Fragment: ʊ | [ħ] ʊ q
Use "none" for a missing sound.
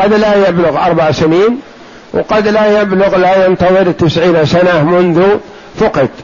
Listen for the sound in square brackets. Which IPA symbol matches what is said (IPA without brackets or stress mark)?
f